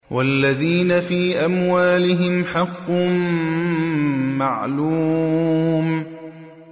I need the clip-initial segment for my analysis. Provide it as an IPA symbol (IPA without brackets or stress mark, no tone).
w